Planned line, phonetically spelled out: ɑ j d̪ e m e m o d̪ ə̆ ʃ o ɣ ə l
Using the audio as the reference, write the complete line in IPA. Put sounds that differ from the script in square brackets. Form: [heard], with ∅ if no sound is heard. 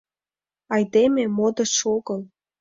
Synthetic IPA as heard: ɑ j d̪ e m e m o d̪ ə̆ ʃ o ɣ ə l

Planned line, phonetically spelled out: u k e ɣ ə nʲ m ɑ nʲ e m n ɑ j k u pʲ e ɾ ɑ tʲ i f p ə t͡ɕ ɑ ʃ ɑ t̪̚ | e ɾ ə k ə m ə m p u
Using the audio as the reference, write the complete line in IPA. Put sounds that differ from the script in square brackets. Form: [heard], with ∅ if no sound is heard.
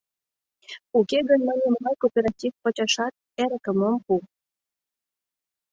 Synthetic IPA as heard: u k e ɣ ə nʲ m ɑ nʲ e m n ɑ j k [o] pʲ e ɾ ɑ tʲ i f p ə t͡ɕ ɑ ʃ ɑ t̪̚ | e ɾ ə k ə m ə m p u

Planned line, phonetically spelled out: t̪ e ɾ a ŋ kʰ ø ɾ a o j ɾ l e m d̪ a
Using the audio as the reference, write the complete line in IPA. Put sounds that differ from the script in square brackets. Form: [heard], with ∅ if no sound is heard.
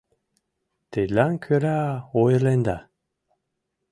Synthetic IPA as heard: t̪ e [l] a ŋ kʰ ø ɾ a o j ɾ l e [n] d̪ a

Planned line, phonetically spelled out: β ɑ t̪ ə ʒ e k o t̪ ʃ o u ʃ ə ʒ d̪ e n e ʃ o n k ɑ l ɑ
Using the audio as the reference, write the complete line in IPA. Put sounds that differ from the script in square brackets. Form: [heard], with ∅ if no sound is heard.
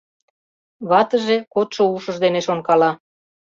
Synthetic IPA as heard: β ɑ t̪ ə ʒ e k o t̪ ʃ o u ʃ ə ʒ d̪ e n e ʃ o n k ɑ l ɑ

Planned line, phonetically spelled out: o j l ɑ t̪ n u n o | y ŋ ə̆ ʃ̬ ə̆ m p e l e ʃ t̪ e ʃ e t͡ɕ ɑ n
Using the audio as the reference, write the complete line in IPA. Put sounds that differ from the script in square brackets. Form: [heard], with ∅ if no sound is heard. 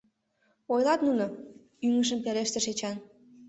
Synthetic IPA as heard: o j l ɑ t̪ n u n o | y ŋ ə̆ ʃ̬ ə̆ m p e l e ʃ t̪ e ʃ e t͡ɕ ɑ n

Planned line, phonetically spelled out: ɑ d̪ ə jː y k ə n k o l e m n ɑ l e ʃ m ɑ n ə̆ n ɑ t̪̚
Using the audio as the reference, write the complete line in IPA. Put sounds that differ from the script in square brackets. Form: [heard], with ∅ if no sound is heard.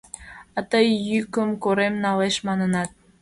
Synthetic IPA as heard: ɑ [t̪] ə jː y k ə [m] k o [ɾ] e m n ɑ l e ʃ m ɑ n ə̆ n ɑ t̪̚

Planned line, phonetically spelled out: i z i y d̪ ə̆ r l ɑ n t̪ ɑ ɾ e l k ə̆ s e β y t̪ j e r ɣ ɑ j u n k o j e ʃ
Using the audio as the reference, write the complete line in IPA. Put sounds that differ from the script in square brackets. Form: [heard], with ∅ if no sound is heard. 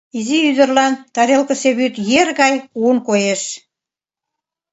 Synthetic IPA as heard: i z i y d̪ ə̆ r l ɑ n t̪ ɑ ɾ e l k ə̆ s e β y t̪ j e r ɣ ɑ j u n k o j e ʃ

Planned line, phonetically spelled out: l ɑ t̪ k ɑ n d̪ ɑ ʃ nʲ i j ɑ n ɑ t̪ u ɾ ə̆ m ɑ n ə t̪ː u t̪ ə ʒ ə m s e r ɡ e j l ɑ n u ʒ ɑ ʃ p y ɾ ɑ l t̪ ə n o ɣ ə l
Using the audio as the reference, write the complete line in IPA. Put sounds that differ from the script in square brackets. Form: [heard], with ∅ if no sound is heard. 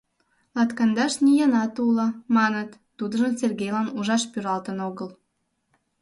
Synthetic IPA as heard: l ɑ t̪ k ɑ n d̪ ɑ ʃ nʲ i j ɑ n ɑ t̪ u [l] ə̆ m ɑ n ə t̪ː u [d̪] ə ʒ ə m s e r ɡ e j l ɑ n u ʒ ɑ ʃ p y ɾ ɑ l t̪ ə n o ɣ ə l

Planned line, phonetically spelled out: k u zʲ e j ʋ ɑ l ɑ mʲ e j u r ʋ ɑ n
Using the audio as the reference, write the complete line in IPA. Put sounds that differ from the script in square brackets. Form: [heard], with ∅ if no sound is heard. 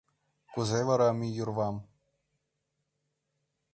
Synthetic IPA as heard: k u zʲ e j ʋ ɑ [ɾ] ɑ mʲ [i] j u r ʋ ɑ [m]

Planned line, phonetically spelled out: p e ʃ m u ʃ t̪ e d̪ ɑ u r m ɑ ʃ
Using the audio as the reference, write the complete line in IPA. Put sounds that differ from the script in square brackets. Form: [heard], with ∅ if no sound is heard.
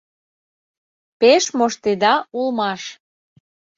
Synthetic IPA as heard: p e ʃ m [o] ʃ t̪ e d̪ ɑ u [l] m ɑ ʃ

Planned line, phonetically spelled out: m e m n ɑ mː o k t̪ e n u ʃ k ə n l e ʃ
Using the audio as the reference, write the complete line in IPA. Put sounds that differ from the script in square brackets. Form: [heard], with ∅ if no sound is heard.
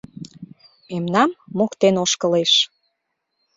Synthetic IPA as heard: m e m n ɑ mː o k t̪ e n [o] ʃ k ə [∅] l e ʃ

